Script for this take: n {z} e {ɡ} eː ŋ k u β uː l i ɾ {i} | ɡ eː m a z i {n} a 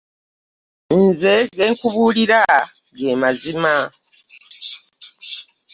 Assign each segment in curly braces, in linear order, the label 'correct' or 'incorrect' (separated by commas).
correct, correct, incorrect, incorrect